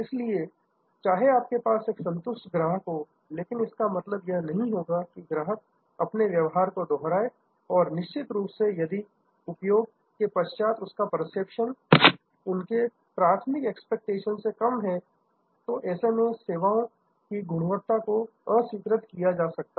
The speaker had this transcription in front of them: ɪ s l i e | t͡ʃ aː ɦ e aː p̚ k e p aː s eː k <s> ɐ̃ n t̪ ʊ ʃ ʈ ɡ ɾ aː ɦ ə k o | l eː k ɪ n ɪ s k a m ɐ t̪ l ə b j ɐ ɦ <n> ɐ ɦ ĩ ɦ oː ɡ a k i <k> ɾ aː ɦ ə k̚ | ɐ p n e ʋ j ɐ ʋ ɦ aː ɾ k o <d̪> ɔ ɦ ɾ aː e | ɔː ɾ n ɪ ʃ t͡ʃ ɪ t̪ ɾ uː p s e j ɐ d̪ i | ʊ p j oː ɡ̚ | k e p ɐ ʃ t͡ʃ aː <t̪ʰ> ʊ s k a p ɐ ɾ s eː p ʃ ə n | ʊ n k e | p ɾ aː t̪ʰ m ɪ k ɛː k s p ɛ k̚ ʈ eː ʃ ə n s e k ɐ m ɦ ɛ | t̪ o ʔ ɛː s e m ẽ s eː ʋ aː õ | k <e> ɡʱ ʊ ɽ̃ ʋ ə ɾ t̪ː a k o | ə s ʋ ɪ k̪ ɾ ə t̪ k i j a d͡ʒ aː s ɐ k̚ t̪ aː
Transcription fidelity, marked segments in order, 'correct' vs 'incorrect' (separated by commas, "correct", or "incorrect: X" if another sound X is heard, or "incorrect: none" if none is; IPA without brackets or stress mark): correct, correct, incorrect: ɡ, correct, incorrect: t̪, incorrect: i